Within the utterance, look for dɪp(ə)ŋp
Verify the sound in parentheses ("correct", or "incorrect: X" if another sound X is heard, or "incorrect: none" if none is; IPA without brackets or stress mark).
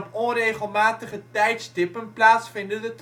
correct